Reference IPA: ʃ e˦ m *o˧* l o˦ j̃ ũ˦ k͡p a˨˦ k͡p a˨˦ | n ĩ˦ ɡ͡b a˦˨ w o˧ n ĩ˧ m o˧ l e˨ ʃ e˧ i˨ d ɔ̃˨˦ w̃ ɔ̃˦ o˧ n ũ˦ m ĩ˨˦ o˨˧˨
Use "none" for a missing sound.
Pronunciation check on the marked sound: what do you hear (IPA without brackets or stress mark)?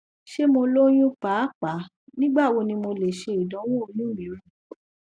o˧